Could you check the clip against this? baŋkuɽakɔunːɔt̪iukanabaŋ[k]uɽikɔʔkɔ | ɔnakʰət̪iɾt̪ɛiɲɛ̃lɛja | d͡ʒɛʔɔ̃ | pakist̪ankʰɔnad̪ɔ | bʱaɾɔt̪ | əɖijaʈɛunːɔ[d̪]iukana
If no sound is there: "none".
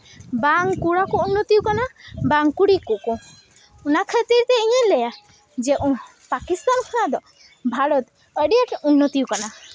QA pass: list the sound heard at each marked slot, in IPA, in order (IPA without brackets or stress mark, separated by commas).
k, t̪